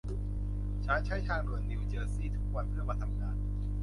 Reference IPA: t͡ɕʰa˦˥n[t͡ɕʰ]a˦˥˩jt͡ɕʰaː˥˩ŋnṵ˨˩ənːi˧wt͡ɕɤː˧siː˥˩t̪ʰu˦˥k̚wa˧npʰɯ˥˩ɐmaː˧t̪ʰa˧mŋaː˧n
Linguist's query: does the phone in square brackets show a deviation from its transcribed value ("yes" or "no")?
no